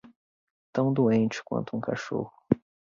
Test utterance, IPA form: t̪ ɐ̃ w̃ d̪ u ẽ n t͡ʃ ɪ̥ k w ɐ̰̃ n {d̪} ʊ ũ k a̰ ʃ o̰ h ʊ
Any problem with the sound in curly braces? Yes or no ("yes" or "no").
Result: yes